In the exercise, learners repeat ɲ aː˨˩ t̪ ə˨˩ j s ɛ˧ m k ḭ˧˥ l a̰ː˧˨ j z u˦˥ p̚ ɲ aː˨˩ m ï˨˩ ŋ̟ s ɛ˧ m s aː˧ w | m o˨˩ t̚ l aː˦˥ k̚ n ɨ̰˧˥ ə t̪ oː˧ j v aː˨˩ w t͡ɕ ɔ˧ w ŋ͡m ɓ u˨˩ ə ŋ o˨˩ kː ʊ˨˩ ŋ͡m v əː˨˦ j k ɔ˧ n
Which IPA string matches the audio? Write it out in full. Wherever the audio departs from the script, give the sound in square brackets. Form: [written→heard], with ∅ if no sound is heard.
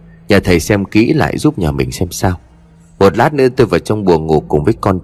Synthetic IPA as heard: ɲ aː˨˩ [t̪→t̪ʰ] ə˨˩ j s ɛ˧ m k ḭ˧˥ l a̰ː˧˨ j z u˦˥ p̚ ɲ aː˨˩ m ï˨˩ ŋ̟ s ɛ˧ m s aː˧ w | m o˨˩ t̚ l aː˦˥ [k̚→t̚] n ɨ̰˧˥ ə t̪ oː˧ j v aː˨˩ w t͡ɕ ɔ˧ w ŋ͡m ɓ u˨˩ ə ŋ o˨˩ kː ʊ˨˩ ŋ͡m v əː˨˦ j k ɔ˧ n